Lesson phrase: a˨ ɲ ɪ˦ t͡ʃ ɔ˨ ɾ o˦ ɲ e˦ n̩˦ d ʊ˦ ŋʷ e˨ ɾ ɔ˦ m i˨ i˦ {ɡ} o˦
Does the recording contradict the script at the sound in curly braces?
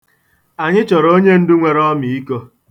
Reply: yes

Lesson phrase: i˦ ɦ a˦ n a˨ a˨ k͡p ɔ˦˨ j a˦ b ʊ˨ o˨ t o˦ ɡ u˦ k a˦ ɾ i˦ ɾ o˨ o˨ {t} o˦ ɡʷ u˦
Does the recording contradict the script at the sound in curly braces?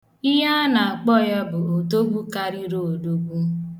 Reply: yes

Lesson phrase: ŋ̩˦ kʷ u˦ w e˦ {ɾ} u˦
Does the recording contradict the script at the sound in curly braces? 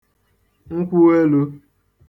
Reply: yes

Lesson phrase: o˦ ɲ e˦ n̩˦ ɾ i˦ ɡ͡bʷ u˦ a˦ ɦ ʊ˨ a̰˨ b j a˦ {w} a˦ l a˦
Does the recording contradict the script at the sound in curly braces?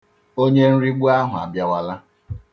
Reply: no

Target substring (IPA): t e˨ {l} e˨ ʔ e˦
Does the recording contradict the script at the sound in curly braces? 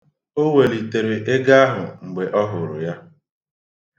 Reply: yes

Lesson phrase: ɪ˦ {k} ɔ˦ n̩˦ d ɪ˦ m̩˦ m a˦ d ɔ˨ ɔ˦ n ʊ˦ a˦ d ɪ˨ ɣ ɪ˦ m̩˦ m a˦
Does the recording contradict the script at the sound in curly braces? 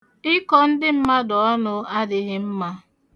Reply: no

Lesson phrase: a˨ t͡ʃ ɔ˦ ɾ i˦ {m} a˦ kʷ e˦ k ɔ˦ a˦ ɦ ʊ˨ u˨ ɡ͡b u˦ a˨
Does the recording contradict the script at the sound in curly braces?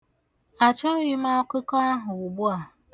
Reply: no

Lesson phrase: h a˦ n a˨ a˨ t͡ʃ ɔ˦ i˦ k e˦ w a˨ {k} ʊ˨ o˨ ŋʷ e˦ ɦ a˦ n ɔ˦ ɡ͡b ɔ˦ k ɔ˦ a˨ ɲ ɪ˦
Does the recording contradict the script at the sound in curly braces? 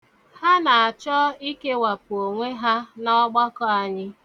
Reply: yes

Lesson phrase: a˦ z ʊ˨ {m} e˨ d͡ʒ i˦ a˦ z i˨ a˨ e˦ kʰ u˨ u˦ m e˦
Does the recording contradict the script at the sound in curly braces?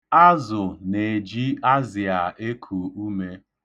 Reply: yes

